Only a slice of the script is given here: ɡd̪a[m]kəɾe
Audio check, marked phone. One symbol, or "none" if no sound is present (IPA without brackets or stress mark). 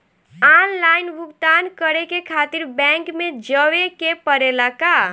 n